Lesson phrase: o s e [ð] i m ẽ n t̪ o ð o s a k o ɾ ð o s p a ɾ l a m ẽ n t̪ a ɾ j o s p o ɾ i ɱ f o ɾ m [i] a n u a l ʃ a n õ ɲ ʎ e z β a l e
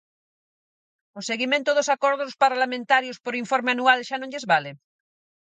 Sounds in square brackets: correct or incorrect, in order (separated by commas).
incorrect, incorrect